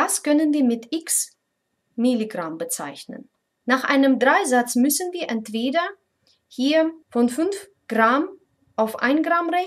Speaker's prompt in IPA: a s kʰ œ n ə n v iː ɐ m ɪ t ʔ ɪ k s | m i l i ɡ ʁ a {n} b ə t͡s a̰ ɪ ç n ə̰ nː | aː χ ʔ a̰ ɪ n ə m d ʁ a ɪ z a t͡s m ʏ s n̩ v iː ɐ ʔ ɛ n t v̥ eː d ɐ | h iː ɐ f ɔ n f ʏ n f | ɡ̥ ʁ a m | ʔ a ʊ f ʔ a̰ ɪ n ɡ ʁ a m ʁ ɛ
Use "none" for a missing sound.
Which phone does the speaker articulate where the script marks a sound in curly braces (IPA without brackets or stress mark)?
m